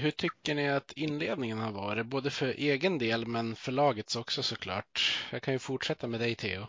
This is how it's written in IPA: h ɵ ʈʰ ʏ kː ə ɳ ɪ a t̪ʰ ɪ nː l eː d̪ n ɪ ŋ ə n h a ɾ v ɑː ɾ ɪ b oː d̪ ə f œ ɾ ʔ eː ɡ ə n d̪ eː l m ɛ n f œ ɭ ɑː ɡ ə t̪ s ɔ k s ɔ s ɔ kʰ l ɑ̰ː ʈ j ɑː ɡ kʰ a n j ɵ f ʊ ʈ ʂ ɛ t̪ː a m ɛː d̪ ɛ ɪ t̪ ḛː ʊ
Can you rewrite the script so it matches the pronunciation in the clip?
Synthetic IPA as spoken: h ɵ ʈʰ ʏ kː ə ɳ ɪ a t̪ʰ ɪ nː l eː d̪ n ɪ ŋ ə n h a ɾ v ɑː ɾ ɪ b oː d̪ ə f œ ɾ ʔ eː ɡ ə n d̪ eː l m ɛ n f œ ɭ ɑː ɡ ə t̪ s ɔ k s ɔ s ɔ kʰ l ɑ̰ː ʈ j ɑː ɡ kʰ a n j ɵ f ʊ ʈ ʂ ɛ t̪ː a m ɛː d̪ ɛ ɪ t̪ʰ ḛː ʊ